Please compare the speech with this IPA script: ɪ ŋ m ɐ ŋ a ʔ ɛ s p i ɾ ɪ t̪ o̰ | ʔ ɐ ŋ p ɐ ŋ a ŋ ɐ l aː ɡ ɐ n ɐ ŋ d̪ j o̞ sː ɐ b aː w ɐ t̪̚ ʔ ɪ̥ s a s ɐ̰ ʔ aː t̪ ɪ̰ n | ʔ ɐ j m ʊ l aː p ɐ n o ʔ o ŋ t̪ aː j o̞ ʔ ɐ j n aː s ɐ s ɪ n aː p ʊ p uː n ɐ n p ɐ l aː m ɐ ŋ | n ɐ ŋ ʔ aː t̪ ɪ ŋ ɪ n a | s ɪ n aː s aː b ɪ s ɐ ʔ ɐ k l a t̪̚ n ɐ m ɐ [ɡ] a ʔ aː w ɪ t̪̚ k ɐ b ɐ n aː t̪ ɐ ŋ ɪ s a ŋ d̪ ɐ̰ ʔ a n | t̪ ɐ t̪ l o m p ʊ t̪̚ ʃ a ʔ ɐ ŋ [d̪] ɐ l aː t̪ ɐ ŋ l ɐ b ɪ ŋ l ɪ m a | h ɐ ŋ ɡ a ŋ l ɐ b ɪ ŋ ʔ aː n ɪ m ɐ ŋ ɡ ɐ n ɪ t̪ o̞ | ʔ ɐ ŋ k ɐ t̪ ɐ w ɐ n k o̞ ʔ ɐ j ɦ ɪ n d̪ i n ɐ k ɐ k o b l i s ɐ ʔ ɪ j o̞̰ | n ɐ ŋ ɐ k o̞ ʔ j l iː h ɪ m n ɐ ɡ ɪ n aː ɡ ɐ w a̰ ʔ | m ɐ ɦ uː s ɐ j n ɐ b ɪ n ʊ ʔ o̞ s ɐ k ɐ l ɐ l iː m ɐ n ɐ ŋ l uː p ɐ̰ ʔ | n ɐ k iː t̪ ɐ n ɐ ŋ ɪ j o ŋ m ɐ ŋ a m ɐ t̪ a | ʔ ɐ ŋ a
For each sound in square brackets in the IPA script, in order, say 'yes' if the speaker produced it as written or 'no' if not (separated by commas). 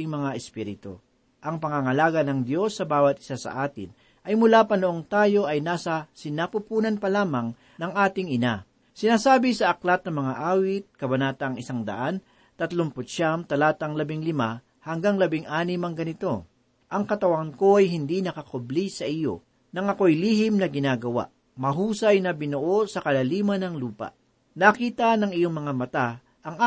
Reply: no, no